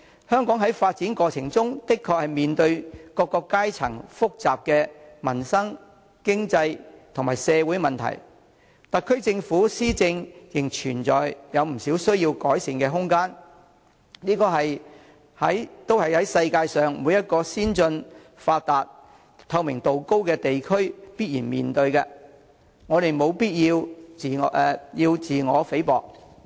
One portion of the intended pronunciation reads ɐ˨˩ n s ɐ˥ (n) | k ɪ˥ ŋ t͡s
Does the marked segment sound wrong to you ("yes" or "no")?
yes